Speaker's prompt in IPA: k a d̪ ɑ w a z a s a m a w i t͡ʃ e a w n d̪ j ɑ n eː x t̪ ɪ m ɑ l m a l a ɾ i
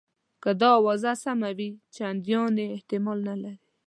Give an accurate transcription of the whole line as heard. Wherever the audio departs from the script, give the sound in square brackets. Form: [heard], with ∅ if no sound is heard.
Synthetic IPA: k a d̪ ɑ w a z a s a m a w i t͡ʃ e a [∅] n d̪ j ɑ n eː [h] t̪ ɪ m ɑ l [n] a l a ɾ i

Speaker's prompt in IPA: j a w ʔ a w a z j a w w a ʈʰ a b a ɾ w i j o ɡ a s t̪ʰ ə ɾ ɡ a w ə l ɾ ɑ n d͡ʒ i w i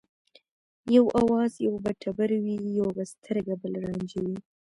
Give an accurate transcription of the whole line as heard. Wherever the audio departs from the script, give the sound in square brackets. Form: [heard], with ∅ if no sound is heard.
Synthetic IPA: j a w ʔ a w [ɑ] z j a w [b] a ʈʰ a b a ɾ w i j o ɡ a s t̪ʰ ə ɾ ɡ a [b] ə l ɾ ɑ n d͡ʒ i w i

